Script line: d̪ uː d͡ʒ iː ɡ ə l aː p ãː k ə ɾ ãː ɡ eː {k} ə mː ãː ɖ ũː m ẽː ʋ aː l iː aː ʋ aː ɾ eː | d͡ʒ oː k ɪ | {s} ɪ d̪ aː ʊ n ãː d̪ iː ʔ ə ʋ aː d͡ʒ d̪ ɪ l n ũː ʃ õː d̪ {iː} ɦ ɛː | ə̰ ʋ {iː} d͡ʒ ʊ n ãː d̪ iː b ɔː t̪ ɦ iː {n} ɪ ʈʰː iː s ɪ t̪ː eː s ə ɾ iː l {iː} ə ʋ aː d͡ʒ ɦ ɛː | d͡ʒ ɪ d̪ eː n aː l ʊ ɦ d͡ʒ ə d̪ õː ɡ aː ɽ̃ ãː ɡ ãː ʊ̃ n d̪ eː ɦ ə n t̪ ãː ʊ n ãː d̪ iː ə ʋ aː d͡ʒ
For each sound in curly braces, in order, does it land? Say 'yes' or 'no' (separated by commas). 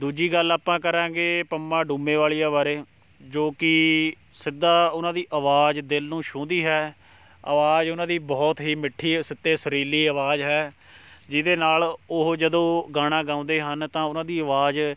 no, yes, yes, no, no, yes